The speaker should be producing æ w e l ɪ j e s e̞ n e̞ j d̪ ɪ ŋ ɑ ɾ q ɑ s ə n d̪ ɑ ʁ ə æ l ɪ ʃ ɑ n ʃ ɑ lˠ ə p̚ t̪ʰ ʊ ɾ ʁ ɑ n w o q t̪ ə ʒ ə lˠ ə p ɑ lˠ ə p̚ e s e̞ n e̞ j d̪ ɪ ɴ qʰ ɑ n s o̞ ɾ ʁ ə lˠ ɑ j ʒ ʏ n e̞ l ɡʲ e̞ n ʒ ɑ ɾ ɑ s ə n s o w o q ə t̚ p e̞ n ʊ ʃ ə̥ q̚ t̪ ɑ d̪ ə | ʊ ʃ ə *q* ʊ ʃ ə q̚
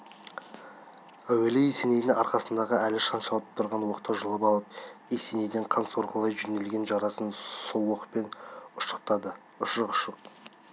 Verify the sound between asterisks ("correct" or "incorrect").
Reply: correct